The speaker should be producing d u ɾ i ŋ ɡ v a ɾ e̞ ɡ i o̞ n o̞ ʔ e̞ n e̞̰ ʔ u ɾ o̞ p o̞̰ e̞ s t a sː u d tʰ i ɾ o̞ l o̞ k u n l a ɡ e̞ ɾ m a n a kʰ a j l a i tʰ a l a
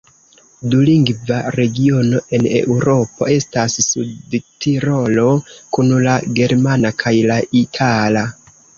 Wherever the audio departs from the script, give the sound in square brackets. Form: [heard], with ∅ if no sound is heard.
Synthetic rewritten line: d u [l] i ŋ ɡ v a ɾ e̞ ɡ i o̞ n o̞ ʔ e̞ n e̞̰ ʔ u ɾ o̞ p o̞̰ e̞ s t a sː u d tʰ i ɾ o̞ l o̞ k u n l a ɡ e̞ ɾ m a n a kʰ a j l a i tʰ a l a